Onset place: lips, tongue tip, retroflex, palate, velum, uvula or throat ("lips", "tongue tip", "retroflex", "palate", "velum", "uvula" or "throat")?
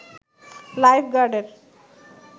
tongue tip